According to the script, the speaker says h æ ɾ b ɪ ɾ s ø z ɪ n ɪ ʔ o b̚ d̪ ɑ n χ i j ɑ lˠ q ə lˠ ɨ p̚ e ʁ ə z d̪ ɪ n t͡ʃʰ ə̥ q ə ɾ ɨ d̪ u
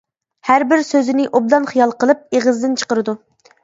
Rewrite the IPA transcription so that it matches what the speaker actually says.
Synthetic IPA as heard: h æ ɾ b ɪ ɾ s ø z ɪ n ɪ ʔ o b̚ d̪ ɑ n χ i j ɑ lˠ q ə lˠ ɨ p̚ e ʁ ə z d̪ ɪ n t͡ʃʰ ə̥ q ə ɾ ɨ d̪ u